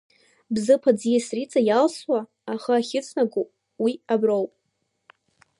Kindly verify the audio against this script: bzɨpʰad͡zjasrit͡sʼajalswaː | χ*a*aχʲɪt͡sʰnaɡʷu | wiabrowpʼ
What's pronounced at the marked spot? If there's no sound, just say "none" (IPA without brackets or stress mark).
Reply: a